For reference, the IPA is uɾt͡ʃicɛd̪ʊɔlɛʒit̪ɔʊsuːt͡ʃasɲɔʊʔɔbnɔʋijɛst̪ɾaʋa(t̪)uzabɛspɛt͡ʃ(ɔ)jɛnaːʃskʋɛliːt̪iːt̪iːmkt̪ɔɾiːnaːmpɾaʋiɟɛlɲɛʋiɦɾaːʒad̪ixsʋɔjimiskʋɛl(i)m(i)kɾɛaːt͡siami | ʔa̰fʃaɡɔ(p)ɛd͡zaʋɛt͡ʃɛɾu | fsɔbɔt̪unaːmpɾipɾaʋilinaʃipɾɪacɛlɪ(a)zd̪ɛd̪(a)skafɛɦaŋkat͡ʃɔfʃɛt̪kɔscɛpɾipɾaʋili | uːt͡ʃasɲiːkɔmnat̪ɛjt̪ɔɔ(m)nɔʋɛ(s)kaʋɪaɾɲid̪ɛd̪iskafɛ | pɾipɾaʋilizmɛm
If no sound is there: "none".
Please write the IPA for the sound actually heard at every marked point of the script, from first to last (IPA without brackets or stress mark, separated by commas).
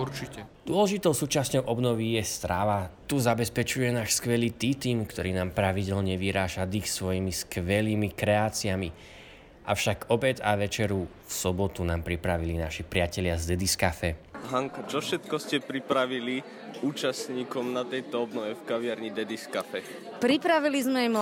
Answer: t̪, u, iː, i, b, a, i, b, f